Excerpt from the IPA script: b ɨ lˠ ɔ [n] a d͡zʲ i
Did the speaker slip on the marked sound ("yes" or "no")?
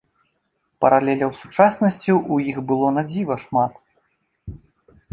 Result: no